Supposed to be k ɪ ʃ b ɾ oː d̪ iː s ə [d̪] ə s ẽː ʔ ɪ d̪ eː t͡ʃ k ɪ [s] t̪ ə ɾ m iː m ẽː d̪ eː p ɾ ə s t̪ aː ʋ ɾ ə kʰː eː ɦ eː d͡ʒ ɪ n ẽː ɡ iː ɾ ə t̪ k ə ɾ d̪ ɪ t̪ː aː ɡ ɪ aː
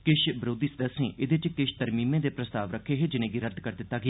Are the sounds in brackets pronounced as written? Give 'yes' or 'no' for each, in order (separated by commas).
yes, no